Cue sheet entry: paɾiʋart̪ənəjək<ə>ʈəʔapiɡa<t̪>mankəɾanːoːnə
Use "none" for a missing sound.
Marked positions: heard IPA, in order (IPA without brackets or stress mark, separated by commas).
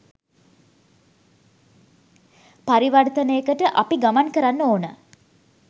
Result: ə, none